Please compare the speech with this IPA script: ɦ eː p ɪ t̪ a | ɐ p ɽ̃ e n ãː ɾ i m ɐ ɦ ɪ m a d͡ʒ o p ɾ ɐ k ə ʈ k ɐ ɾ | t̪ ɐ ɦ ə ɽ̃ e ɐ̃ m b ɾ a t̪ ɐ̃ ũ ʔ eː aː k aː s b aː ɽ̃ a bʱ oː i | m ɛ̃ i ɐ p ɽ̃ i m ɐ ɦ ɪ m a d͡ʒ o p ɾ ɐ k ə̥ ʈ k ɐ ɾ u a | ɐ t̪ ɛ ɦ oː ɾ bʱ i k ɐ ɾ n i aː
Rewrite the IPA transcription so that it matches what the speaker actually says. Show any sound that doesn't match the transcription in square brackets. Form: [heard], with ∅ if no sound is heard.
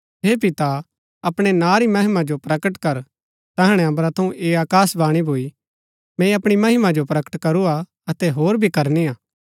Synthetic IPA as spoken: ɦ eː p ɪ t̪ a | ɐ p ɽ̃ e n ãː ɾ i m ɐ ɦ ɪ m a d͡ʒ o p ɾ ɐ k ə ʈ k ɐ ɾ | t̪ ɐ ɦ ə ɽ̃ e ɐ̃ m b ɾ a [t̪ʰ] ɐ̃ ũ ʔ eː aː k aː s b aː ɽ̃ [i] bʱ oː i | m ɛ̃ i ɐ p ɽ̃ i m ɐ ɦ ɪ m a d͡ʒ o p ɾ ɐ k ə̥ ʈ k ɐ ɾ u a | ɐ t̪ ɛ ɦ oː ɾ bʱ i k ɐ ɾ n i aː